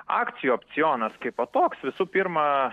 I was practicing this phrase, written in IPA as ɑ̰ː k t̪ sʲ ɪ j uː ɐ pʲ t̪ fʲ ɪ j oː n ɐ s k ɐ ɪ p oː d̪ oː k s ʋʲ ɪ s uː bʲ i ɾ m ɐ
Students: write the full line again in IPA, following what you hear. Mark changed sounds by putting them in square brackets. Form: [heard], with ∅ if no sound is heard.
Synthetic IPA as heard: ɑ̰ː k t̪ sʲ ɪ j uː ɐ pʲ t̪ [sʲ] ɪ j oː n ɐ s k ɐ ɪ p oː [t̪] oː k s ʋʲ ɪ s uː [pʲ] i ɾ m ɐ